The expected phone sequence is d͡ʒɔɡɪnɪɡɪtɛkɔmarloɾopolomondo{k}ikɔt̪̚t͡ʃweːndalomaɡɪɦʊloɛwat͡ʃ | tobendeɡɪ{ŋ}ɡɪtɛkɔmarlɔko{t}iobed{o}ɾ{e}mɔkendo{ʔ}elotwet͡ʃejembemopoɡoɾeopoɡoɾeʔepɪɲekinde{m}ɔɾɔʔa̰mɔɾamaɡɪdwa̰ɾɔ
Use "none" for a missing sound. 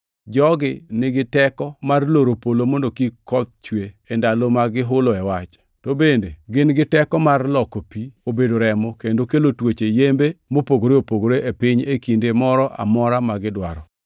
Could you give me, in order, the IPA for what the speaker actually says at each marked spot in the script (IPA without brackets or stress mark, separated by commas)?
k, n, p, o, ɛ, k, m